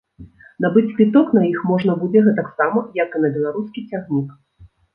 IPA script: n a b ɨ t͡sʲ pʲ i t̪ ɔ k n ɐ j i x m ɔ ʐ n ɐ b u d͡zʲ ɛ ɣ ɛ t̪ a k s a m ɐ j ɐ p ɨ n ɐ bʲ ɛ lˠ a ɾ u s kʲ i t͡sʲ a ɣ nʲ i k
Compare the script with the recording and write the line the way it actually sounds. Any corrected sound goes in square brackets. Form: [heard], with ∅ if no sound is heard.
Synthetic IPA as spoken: n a b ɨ t͡sʲ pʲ i t̪ ɔ k n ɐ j i x m ɔ ʐ n ɐ b u d͡zʲ ɛ ɣ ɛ t̪ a k s a m ɐ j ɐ [k] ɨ n ɐ bʲ ɛ lˠ a ɾ u s kʲ i t͡sʲ a ɣ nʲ i k